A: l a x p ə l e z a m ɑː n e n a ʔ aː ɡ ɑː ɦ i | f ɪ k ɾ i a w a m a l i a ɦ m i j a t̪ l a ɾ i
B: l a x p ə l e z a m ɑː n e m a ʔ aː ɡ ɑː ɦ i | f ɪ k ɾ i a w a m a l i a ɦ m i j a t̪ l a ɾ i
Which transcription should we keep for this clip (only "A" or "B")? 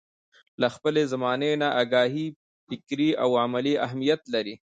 A